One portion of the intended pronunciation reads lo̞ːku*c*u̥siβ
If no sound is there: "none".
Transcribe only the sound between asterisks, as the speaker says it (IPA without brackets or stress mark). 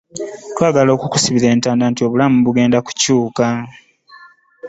k